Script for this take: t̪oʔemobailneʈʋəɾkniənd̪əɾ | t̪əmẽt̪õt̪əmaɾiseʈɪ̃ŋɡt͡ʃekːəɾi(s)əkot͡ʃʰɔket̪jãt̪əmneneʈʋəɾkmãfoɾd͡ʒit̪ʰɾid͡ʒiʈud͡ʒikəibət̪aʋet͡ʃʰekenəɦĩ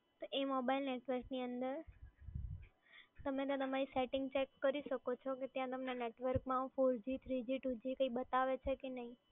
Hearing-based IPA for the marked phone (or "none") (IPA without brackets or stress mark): ʃ